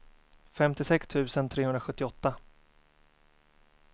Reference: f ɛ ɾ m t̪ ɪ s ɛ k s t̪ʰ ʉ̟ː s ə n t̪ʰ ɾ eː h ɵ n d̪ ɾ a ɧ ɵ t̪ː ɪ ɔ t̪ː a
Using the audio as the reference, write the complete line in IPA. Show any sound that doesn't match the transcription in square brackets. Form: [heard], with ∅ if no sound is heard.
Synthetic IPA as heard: f ɛ [∅] m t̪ ɪ s ɛ k s t̪ʰ ʉ̟ː s ə n t̪ʰ ɾ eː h ɵ n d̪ ɾ a ɧ ɵ t̪ː ɪ ɔ t̪ː a